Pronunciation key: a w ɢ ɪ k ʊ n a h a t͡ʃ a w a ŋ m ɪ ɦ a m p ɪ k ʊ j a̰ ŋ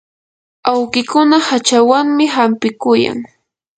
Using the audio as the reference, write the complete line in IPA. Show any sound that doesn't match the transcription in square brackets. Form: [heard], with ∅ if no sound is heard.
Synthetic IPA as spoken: a w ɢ ɪ k ʊ n a h a t͡ʃ a w a ŋ m ɪ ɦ a m p ɪ k ʊ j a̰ ŋ